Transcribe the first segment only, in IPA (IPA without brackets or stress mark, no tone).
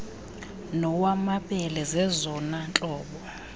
n